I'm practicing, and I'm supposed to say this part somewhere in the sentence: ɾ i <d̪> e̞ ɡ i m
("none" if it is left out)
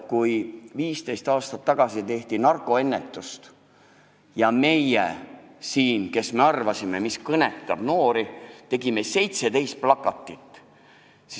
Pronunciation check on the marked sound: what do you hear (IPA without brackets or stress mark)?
t̪